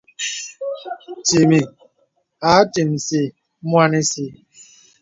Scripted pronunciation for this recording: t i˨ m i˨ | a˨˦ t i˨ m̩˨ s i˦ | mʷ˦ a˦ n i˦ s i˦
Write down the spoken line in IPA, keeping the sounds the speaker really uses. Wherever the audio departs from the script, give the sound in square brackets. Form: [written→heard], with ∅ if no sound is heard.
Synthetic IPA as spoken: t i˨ m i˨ | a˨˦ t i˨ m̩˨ s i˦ | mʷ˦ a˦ n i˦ s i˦

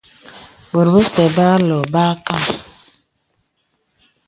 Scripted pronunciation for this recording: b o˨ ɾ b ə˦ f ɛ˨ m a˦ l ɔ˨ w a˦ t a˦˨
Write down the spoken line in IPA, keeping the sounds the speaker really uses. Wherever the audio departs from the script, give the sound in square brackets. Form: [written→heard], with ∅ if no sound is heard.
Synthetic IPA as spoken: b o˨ ɾ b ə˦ [f→s] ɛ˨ [m→b] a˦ l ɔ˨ [w→b] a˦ [t→k] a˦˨

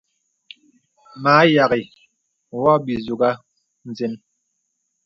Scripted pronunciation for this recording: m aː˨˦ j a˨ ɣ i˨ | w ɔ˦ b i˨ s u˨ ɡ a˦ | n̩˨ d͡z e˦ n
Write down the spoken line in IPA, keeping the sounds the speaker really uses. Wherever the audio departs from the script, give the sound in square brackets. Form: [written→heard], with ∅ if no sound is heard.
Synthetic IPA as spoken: m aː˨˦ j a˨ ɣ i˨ | w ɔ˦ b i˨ [s→z] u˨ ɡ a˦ | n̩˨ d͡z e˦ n

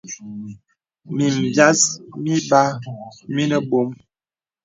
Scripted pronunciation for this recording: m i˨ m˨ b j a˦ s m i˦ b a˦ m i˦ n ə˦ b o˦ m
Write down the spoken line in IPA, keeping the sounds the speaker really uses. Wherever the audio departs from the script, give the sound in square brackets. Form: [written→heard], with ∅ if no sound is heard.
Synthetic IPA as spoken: m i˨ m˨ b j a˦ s m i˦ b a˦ m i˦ n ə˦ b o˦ m

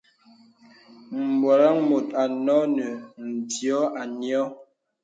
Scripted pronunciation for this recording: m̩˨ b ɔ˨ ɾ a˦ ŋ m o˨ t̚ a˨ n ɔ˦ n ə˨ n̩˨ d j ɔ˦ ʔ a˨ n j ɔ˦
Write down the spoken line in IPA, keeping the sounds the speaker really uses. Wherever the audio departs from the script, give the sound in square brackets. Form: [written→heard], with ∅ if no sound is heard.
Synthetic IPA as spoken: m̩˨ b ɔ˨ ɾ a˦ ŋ m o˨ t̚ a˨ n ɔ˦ n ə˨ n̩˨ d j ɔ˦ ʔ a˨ n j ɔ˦

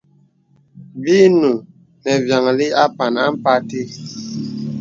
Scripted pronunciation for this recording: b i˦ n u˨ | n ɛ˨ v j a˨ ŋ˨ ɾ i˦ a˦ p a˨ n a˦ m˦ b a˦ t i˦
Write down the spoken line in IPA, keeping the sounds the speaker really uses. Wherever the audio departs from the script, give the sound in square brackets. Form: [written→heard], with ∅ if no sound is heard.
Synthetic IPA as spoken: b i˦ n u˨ | n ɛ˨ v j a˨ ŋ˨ [ɾ→l] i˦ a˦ p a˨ n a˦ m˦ [b→p] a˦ t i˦

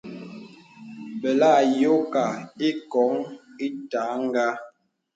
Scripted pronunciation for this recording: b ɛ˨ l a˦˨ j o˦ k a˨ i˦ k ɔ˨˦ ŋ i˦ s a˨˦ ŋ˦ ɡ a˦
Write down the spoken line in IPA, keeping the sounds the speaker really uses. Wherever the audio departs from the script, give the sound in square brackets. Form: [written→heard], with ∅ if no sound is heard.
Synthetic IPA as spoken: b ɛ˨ l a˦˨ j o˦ k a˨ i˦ k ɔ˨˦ ŋ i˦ [s→t] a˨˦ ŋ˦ ɡ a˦

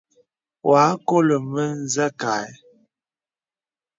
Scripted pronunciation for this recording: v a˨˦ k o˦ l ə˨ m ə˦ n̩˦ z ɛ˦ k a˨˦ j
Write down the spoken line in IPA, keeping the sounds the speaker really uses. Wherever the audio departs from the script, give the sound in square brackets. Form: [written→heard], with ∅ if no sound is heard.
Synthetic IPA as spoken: [v→w] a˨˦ k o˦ l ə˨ m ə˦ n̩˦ z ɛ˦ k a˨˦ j

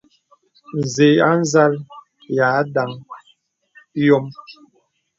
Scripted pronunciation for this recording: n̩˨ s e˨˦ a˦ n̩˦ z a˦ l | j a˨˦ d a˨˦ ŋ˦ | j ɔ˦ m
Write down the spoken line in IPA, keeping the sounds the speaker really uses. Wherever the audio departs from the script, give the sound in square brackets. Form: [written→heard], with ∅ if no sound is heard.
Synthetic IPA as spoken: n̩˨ [s→z] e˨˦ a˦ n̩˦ z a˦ l | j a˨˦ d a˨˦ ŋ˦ | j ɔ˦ m

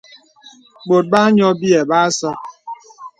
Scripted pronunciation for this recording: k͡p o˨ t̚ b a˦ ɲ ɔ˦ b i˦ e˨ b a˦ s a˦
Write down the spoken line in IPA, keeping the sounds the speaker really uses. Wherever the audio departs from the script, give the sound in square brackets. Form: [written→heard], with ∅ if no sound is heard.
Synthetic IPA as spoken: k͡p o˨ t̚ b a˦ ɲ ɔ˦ b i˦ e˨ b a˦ s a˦

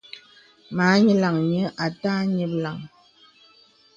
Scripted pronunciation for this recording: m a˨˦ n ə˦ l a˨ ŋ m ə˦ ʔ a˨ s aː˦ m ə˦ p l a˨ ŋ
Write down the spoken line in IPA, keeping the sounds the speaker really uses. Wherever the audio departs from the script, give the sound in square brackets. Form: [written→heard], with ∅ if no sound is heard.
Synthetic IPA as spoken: m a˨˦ [n→ɲ] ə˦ l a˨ ŋ [m→ɲ] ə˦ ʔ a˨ [s→t] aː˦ [m→ɲ] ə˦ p l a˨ ŋ

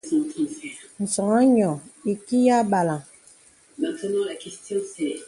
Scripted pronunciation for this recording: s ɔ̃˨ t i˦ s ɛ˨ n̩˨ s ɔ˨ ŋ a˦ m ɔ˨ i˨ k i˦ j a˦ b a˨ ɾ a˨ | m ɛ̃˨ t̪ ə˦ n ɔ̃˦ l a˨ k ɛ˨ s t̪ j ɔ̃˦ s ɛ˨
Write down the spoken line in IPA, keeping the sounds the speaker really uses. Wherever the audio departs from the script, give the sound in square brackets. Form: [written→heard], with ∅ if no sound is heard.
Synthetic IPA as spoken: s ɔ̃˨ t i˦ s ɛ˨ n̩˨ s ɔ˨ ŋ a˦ [m→ɲ] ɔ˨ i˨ k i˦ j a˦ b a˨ [ɾ→l] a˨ | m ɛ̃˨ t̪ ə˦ n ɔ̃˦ l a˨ k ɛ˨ s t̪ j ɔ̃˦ s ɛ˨

